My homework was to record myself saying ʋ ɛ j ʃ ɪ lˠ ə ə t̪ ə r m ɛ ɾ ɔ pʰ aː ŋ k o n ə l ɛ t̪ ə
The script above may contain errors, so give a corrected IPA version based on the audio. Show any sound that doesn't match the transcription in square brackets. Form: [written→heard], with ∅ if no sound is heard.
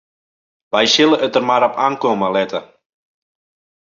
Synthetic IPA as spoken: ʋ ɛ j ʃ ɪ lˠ ə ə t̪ ə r m [ɛ→a] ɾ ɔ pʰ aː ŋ k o [n→m] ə l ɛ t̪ ə